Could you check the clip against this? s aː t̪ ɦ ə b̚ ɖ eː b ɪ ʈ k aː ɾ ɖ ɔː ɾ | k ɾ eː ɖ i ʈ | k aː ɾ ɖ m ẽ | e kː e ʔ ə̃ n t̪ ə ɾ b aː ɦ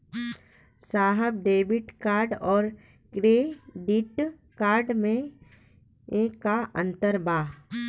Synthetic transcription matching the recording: s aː ɦ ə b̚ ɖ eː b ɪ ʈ k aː ɾ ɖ ɔː ɾ | k ɾ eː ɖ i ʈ | k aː ɾ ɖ m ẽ | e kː a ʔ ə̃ n t̪ ə ɾ b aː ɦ